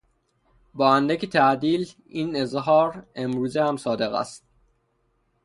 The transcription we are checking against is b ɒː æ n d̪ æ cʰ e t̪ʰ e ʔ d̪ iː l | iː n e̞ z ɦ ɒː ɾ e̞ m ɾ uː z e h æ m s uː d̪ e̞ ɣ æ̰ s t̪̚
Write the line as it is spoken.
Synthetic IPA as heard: b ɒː æ n d̪ æ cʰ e t̪ʰ æ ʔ d̪ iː l | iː n e̞ z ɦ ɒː ɾ e̞ m ɾ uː z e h æ m s ɒː d̪ e̞ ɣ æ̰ s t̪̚